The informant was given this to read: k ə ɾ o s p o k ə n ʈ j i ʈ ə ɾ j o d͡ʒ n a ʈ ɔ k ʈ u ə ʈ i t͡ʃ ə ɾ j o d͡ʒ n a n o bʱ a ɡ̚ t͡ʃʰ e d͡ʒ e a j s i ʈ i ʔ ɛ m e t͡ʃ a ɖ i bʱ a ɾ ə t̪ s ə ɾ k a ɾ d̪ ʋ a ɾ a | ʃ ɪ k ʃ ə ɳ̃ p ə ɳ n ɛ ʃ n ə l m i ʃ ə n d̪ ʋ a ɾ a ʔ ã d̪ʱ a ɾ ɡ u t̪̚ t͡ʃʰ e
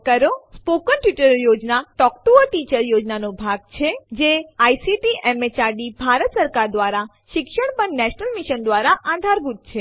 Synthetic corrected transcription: k ə ɾ o s p o k ə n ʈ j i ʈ ə ɾ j o d͡ʒ n a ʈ ɔ k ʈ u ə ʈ i t͡ʃ ə ɾ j o d͡ʒ n a n o bʱ a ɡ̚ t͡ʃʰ e d͡ʒ e a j s i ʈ i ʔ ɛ m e t͡ʃ a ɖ i bʱ a ɾ ə t̪ s ə ɾ k a ɾ d̪ ʋ a ɾ a | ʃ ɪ k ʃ ə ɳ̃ p ə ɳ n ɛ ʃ n ə l m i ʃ ə n d̪ ʋ a ɾ a ʔ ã d̪ʱ a ɾ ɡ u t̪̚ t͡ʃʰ e